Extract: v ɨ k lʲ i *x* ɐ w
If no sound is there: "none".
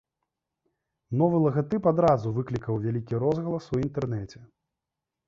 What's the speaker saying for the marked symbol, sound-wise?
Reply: k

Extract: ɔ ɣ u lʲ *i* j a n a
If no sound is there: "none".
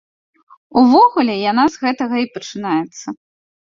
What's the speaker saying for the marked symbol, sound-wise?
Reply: ɛ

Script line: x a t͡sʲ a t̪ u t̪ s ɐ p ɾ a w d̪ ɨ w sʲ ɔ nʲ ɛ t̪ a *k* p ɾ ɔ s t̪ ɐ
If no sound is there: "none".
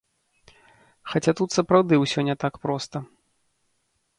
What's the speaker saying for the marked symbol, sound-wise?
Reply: k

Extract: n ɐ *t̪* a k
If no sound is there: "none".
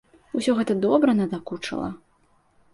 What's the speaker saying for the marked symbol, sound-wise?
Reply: d̪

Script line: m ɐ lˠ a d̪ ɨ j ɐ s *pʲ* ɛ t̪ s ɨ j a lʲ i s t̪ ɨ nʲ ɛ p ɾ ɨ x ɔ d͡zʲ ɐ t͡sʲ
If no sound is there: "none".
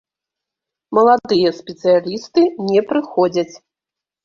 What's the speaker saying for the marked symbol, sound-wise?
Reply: pʲ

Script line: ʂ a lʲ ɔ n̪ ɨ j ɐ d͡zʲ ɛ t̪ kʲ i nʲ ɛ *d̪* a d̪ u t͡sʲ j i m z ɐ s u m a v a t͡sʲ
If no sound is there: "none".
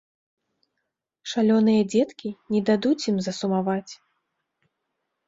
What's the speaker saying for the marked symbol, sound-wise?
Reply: d̪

